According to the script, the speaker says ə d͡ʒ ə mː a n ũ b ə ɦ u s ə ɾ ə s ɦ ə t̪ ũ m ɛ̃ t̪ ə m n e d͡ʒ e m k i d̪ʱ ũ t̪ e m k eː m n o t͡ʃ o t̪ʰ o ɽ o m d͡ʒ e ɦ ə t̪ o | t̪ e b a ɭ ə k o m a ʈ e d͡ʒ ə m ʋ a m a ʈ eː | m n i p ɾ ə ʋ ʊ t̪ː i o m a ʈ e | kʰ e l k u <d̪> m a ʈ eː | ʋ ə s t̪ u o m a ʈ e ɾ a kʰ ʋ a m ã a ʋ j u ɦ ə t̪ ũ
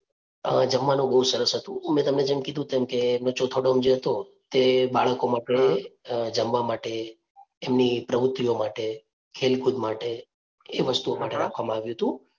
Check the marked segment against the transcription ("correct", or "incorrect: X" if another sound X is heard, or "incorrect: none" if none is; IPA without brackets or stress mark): correct